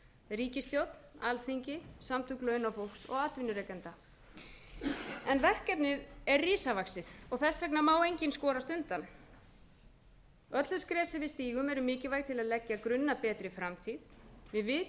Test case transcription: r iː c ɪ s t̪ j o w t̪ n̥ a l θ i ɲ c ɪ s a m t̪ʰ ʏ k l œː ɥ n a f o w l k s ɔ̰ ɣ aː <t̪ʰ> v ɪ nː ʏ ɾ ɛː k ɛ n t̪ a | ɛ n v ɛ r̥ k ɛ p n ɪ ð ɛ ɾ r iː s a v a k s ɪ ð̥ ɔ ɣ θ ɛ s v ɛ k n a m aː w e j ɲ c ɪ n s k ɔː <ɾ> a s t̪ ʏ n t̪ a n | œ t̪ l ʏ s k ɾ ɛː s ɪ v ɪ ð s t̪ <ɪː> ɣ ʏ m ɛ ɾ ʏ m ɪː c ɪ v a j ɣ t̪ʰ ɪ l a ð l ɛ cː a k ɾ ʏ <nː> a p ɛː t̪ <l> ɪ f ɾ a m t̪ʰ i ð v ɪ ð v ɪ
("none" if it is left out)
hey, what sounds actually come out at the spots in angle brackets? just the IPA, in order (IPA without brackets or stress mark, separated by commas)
t̪, ɾ, iː, nː, ɾ